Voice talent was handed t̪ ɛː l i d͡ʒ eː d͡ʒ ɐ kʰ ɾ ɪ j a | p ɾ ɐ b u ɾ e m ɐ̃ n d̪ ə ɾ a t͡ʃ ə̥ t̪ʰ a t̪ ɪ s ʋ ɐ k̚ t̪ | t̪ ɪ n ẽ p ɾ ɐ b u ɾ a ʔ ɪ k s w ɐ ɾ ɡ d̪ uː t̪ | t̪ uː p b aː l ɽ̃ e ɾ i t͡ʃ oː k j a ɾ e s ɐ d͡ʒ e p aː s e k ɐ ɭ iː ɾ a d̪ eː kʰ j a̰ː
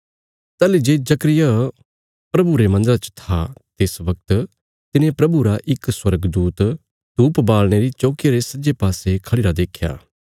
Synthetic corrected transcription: t̪ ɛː l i d͡ʒ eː d͡ʒ ɐ k ɾ ɪ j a | p ɾ ɐ b u ɾ e m ɐ̃ n d̪ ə ɾ a t͡ʃ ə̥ t̪ʰ a t̪ ɪ s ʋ ɐ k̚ t̪ | t̪ ɪ n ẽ p ɾ ɐ b u ɾ a ʔ ɪ k s w ɐ ɾ ɡ d̪ uː t̪ | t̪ uː p b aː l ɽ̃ e ɾ i t͡ʃ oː k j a ɾ e s ɐ d͡ʒ e p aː s e kʰ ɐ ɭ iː ɾ a d̪ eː kʰ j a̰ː

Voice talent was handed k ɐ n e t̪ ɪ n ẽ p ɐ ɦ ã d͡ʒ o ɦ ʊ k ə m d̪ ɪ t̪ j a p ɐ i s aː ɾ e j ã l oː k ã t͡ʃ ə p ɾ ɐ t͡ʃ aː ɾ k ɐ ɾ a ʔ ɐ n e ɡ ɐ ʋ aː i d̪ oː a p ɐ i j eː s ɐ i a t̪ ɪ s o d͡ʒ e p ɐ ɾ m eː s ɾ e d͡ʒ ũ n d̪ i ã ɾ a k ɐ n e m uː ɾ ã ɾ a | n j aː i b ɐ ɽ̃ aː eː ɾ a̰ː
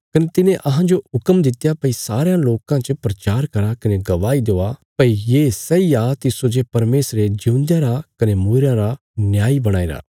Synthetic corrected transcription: k ɐ n e t̪ ɪ n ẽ ʔ ɐ ɦ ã d͡ʒ o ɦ ʊ k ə m d̪ ɪ t̪ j a p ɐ i s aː ɾ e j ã l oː k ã t͡ʃ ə p ɾ ɐ t͡ʃ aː ɾ k ɐ ɾ a k ɐ n e ɡ ɐ ʋ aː i d̪ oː a p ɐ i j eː s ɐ i a t̪ ɪ s o d͡ʒ e p ɐ ɾ m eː s ɾ e d͡ʒ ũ n d̪ j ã ɾ a k ɐ n e m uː ɾ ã ɾ a | n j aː i b ɐ ɽ̃ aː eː ɾ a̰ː

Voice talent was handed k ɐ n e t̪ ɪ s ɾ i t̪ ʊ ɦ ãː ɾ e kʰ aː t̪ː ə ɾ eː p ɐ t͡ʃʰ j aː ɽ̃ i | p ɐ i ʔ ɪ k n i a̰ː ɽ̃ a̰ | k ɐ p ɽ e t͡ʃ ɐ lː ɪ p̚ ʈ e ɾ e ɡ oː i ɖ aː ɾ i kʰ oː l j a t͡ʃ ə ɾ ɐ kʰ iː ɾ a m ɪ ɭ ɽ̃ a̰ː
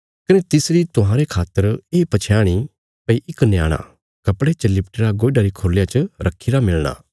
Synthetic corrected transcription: k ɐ n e t̪ ɪ s ɾ i t̪ ʊ ɦ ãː ɾ e kʰ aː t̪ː ə ɾ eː p ɐ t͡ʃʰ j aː ɽ̃ i | p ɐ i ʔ ɪ k n j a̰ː ɽ̃ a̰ | k ɐ p ɽ e t͡ʃ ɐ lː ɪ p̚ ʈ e ɾ a ɡ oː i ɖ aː ɾ i kʰ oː l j a t͡ʃ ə ɾ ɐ kʰ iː ɾ a m ɪ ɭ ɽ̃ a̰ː

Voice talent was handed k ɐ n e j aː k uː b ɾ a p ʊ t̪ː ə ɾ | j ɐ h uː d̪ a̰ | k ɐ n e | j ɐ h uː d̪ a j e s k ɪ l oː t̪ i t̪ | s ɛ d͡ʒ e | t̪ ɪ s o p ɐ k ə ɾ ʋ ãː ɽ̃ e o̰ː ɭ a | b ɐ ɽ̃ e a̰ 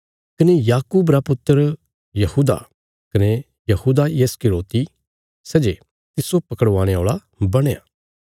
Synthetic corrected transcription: k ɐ n e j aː k uː b ɾ a p ʊ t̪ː ə ɾ | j ɐ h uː d̪ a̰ | k ɐ n e | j ɐ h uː d̪ a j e s k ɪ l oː t̪ i | s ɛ d͡ʒ e | t̪ ɪ s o p ɐ k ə ɽ ʋ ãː ɽ̃ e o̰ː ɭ a | b ɐ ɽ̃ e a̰

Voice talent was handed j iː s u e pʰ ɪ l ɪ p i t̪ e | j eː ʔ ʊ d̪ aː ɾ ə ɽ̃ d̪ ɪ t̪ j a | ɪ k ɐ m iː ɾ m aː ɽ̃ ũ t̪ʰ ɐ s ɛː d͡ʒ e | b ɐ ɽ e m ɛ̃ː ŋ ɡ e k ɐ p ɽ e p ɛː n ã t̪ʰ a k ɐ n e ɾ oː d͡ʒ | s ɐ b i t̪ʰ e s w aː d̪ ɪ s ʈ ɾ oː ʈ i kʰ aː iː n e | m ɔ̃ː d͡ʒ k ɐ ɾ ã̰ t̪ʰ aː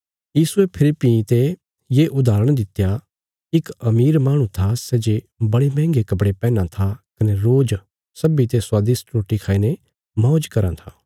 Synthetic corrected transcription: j iː s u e pʰ ɪ l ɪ p i t̪ e | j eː ʔ ʊ d̪ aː ɾ ə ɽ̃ d̪ ɪ t̪ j a | ɪ k ɐ m iː ɾ m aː ɽ̃ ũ t̪ʰ a s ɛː d͡ʒ e | b ɐ ɽ e m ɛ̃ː ŋ ɡ e k ɐ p ɽ e p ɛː n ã t̪ʰ a k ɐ n e ɾ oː d͡ʒ | s ɐ b i t̪ e s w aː d̪ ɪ s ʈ ɾ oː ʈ i kʰ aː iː n e | m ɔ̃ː d͡ʒ k ɐ ɾ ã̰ t̪ʰ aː

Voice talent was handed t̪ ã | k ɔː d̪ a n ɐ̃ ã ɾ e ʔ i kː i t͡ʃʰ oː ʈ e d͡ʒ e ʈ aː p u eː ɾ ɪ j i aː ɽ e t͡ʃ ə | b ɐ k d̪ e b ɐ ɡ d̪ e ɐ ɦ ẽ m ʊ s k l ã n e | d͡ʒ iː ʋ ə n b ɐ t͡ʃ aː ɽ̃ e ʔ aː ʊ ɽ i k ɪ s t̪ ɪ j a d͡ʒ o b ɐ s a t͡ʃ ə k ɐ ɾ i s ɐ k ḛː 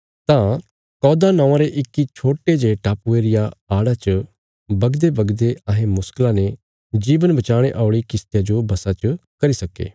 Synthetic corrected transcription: t̪ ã | k ɔː d̪ a n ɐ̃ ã ɾ e ʔ ɪ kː i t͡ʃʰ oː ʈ e d͡ʒ e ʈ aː p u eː ɾ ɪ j a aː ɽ a t͡ʃ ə | b ɐ ɡ d̪ e b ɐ ɡ d̪ e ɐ ɦ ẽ m ʊ s k l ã n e | d͡ʒ iː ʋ ə n b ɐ t͡ʃ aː ɽ̃ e ʔ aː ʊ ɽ i k ɪ s t̪ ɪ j a d͡ʒ o b ɐ s a t͡ʃ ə k ɐ ɾ i s ɐ k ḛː

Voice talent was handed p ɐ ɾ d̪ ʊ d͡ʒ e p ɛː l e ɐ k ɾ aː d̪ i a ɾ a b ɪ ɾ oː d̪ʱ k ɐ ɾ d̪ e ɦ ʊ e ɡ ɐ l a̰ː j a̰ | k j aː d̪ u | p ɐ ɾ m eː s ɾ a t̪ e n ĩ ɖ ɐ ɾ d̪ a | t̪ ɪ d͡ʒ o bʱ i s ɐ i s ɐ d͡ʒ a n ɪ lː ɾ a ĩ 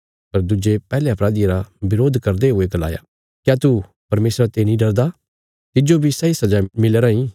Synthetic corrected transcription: p ɐ ɾ d̪ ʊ d͡ʒ e p ɛː l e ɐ p ɾ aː d̪ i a ɾ a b ɪ ɾ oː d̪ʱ k ɐ ɾ d̪ e ɦ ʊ e ɡ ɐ l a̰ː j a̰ | k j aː t̪ u | p ɐ ɾ m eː s ɾ a t̪ e n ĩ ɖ ɐ ɾ d̪ a | t̪ ɪ d͡ʒ o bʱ i s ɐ i s ɐ d͡ʒ a m ɪ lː ɾ a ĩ

